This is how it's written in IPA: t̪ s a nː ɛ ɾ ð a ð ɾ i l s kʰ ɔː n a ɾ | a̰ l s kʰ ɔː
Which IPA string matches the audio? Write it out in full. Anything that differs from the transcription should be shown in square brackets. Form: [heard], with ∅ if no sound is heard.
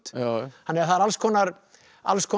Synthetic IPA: t̪ [h] a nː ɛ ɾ [θ] a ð ɾ [a] l s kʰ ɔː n a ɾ | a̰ l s kʰ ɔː